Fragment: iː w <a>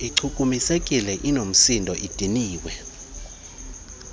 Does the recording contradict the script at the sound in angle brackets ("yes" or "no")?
yes